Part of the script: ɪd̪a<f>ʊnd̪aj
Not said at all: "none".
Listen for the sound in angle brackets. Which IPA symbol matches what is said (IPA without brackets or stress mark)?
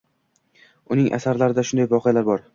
ʃ